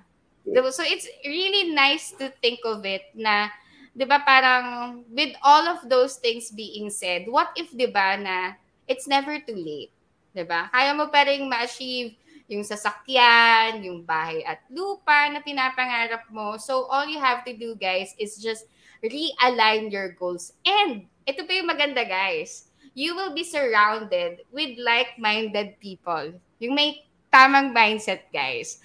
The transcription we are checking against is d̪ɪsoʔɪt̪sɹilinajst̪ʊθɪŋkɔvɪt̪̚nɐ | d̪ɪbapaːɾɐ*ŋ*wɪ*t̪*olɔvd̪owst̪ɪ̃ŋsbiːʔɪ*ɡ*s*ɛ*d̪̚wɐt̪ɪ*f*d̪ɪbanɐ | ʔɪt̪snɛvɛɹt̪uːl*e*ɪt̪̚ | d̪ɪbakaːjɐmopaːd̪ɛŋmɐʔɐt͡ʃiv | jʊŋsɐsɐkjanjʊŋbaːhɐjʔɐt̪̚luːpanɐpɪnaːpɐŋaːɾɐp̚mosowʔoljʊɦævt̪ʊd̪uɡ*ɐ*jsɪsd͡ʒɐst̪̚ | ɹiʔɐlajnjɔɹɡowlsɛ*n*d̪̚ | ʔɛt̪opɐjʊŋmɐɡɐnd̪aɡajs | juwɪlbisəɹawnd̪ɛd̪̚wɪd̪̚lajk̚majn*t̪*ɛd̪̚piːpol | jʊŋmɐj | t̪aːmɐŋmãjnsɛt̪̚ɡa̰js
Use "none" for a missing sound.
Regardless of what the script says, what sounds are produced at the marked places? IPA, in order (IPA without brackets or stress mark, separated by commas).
ŋ, d̪, ŋ, ɛ, f, e, a, n, d̪